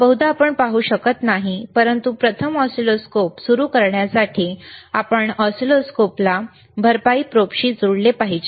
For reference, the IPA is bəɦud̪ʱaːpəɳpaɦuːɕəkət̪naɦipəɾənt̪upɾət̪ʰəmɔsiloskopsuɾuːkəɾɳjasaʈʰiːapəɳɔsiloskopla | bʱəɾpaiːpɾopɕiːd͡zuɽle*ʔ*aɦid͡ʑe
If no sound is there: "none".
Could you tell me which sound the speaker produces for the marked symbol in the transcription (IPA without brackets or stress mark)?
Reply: p